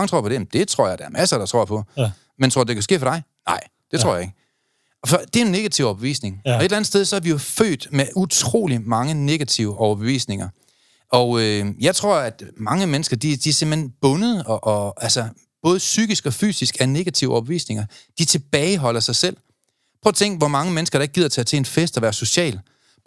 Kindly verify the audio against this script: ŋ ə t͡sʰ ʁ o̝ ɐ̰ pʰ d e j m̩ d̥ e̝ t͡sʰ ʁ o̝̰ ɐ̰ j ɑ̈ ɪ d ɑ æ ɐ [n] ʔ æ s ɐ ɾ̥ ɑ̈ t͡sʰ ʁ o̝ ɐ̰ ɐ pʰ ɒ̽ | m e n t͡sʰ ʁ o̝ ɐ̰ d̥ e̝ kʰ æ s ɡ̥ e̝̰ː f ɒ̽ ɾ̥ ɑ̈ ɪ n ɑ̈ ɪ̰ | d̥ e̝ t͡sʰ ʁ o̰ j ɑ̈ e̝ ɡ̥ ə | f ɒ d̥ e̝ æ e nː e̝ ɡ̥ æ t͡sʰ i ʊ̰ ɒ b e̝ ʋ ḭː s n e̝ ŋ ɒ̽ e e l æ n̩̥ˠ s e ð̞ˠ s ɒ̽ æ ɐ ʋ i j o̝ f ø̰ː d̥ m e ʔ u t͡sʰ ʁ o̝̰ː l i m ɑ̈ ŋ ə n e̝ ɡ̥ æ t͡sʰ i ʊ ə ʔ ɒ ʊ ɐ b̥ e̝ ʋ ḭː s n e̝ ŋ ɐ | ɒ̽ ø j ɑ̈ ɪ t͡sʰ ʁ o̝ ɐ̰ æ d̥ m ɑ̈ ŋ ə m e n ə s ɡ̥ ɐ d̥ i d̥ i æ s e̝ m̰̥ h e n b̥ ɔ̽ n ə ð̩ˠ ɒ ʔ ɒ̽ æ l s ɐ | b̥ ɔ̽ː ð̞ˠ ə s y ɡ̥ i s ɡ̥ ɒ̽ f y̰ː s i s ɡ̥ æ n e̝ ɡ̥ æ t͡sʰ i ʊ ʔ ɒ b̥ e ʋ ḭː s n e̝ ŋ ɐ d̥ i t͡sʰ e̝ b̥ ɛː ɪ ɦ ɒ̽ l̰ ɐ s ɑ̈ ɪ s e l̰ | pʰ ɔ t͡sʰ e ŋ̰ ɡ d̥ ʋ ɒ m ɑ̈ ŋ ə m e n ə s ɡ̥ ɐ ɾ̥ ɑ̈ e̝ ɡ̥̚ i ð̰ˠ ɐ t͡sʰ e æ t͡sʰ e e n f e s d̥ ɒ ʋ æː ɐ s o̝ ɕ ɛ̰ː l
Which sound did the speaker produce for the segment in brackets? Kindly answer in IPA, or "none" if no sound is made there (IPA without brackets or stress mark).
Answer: m